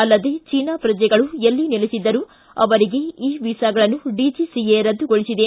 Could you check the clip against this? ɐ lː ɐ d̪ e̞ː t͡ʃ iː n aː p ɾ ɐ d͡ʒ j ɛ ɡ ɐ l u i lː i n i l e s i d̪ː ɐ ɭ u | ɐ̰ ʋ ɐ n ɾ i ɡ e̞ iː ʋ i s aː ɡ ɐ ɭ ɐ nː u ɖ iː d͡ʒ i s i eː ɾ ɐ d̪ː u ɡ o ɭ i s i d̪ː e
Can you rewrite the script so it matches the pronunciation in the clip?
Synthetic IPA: ɐ lː ɐ d̪ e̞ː t͡ʃ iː n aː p ɾ ɐ d͡ʒ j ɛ ɡ ɐ ɭ u e lː i n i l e s i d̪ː ɐ ɾ u | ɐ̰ ʋ ɐ ɾ i ɡ e̞ iː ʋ i s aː ɡ ɐ ɭ ɐ nː u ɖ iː d͡ʒ i s i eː ɾ ɐ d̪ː u ɡ o ɭ i s i d̪ e

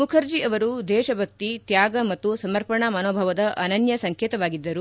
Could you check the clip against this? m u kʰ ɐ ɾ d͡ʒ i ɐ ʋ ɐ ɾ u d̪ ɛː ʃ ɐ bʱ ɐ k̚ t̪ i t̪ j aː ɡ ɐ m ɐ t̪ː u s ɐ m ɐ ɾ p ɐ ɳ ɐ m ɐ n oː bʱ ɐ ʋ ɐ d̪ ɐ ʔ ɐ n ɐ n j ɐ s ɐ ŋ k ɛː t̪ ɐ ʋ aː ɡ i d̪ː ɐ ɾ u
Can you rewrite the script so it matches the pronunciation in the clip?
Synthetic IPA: m u kʰ ɐ ɾ d͡ʒ i ɐ ʋ ɐ ɾ u d̪ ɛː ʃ ɐ bʱ ɐ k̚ t̪ i t̪ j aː ɡ ɐ m ɐ t̪ː u s ɐ m ɐ ɾ p ɐ ɳ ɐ m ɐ n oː bʱ ɐ ʋ ɐ d̪ ɐ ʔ ɐ n ɐ n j ɐ s ɐ ŋ k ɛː t̪ ɐ ʋ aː ɡ i d̪ː ɐ ɾ u

